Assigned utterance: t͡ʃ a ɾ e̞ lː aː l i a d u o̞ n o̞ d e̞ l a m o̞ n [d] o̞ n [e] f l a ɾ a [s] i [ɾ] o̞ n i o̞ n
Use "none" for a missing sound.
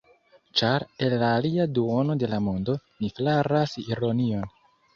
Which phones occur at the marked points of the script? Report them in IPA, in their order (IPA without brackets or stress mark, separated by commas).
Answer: d, i, s, ɾ